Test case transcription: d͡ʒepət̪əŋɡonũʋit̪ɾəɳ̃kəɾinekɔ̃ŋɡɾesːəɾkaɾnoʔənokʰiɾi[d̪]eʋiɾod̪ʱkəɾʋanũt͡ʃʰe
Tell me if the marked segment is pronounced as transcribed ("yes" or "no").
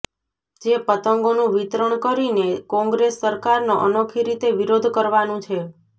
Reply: no